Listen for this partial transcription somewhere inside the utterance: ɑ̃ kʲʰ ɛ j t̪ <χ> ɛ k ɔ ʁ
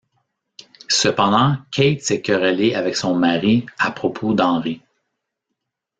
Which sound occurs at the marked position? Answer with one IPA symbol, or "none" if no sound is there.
s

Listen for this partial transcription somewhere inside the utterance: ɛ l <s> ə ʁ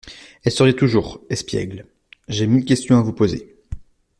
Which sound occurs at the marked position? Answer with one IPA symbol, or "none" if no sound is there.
s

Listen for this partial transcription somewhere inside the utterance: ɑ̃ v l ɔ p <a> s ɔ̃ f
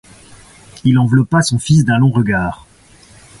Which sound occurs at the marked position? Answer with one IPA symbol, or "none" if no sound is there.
a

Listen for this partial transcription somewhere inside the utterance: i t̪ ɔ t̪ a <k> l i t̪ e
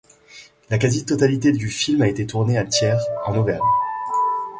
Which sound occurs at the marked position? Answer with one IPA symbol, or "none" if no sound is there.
none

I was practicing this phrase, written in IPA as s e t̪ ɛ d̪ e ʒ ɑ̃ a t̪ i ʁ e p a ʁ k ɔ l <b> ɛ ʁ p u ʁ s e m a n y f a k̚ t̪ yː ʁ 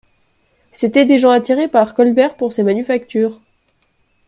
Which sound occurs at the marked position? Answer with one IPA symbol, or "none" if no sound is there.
b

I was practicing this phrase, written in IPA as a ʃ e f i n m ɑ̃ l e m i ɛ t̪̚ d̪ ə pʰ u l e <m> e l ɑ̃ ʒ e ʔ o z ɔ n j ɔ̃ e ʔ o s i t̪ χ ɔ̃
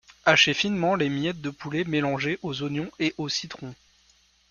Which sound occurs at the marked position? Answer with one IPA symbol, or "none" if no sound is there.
m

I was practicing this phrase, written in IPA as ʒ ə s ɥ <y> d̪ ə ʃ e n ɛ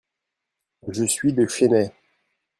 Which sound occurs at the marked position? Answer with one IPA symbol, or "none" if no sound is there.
i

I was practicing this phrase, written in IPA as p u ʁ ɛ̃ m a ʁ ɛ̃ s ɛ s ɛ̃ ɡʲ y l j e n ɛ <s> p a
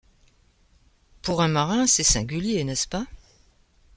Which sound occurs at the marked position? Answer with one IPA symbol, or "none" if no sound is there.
s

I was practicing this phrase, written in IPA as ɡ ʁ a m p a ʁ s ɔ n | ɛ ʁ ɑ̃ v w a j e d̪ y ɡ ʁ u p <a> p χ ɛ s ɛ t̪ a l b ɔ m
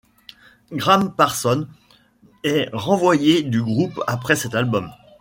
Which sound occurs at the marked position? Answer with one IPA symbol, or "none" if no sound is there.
a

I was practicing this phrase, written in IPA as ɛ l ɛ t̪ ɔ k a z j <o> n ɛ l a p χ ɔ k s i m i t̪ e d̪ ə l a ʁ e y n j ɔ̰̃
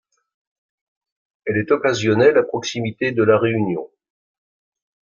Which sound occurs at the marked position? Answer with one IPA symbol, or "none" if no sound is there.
ɔ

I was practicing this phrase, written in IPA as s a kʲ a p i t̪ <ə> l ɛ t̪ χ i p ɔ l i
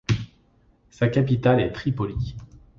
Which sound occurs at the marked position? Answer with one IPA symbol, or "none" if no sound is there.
a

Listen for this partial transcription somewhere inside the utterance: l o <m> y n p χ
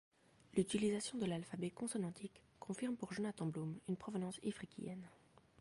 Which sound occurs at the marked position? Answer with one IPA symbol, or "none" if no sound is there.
m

